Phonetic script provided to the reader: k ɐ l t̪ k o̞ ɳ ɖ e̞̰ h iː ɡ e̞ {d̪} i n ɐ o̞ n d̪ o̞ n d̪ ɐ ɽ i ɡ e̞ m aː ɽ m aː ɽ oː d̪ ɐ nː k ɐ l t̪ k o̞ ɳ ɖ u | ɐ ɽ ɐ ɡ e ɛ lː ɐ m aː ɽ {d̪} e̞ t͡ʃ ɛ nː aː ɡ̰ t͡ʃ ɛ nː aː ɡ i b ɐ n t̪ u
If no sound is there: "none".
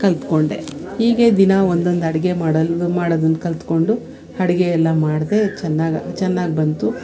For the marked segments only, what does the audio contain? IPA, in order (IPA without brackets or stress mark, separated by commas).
d̪, d̪